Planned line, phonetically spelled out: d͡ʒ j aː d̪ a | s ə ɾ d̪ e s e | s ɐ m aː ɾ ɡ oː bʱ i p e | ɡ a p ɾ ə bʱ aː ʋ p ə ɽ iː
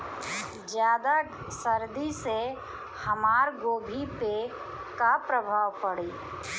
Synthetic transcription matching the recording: d͡ʒ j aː d̪ a | s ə ɾ d̪ i s e | h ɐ m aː ɾ ɡ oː bʱ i p e | k a p ɾ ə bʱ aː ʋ p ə ɽ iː